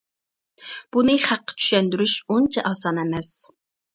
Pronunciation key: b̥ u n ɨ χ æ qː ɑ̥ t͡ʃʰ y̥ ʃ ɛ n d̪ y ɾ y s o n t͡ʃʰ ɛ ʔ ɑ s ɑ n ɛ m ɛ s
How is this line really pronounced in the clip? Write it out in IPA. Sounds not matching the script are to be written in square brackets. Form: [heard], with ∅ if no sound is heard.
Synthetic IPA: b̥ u n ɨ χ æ qː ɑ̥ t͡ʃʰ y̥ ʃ ɛ n d̪ y ɾ y [ʃ] o n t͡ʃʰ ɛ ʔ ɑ s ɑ n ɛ m ɛ s